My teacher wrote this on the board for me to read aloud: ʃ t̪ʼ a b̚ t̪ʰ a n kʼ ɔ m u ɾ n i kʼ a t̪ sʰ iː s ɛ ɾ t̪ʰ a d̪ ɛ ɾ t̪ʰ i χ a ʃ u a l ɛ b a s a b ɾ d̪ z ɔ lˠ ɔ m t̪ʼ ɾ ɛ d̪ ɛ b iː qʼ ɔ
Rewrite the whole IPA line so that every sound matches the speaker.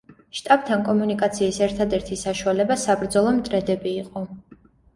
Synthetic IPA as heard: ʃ t̪ʼ a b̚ t̪ʰ a n kʼ ɔ m u n i kʼ a t̪ sʰ iː s ɛ ɾ t̪ʰ a d̪ ɛ ɾ t̪ʰ i s a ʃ u a l ɛ b a s a b ɾ d̪ z ɔ lˠ ɔ m t̪ʼ ɾ ɛ d̪ ɛ b iː qʼ ɔ